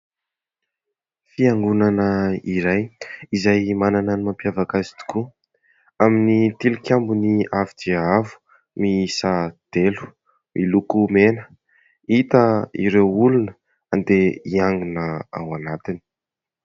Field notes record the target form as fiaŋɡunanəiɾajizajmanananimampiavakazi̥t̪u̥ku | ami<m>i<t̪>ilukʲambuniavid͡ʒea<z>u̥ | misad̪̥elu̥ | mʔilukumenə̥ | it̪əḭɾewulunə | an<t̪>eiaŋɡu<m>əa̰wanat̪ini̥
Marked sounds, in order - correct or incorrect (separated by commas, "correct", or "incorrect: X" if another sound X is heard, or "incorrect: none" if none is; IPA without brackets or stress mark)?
incorrect: n, correct, incorrect: v, incorrect: d̪, incorrect: n